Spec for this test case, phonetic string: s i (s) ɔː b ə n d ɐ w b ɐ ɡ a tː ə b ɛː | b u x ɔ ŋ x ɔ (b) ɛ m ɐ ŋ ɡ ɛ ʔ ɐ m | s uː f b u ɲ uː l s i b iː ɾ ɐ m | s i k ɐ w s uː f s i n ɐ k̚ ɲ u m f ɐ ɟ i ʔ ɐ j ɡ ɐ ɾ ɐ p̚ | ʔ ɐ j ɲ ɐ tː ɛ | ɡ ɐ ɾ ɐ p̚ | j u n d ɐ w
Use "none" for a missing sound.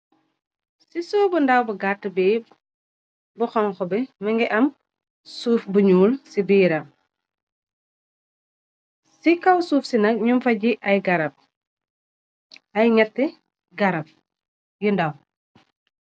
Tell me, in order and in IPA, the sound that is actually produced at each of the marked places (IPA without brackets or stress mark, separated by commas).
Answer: s, b